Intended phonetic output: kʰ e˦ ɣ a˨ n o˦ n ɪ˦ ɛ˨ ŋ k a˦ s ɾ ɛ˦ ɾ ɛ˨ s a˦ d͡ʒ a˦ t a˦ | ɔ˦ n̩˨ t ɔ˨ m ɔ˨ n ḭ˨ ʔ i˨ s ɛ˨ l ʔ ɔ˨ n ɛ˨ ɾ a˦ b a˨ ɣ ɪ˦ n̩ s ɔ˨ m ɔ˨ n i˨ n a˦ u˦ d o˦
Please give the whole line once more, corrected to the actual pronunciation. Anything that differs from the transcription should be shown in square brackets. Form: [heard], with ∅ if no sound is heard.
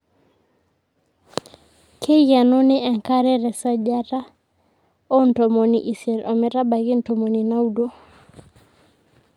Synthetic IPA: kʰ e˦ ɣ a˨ n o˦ n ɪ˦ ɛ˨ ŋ k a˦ [∅] ɾ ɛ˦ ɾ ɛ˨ s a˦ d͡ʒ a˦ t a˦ | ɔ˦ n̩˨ t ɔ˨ m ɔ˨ n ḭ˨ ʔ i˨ s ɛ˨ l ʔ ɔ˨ [m] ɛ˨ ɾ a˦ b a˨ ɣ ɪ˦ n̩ [t] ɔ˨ m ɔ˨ n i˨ n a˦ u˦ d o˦